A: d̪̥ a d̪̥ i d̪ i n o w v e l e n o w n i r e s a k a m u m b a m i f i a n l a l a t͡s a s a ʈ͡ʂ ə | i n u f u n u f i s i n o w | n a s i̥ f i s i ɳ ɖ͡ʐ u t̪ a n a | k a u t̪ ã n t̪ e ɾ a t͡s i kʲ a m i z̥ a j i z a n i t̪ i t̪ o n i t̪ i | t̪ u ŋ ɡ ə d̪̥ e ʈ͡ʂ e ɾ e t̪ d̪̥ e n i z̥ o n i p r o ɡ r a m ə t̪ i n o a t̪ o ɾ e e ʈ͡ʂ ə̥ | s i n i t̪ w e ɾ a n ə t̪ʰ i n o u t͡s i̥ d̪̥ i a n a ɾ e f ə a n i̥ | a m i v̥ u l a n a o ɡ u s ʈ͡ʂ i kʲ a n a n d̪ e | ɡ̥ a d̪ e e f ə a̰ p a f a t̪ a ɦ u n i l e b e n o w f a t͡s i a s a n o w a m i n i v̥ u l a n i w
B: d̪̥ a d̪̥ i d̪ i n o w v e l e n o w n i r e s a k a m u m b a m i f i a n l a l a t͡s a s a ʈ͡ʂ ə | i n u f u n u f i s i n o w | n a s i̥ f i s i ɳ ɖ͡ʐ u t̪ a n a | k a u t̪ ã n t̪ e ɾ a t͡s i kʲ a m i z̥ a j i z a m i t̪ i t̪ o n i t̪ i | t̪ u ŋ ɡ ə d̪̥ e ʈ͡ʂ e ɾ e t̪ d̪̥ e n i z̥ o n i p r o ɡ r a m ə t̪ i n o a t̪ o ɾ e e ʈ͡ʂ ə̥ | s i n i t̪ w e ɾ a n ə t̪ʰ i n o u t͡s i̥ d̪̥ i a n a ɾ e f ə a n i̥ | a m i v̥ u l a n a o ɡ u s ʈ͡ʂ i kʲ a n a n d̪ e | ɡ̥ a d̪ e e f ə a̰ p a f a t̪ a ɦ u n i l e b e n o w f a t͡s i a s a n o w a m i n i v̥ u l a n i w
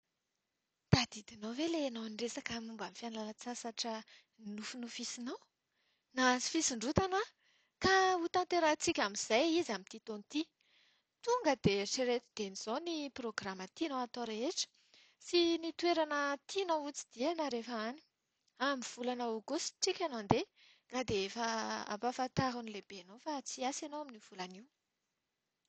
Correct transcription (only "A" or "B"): B